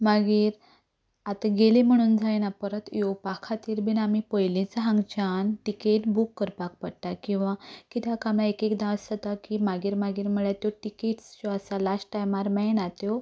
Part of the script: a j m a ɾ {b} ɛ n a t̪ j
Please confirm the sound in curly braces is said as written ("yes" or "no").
no